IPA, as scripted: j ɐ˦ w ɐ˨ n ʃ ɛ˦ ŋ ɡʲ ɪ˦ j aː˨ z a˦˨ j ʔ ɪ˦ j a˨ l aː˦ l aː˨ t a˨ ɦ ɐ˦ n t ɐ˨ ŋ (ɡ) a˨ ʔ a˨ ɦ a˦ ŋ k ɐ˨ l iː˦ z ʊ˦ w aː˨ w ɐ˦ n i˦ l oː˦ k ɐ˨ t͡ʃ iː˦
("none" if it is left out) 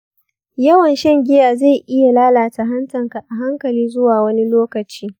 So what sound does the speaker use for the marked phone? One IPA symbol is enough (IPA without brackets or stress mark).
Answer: k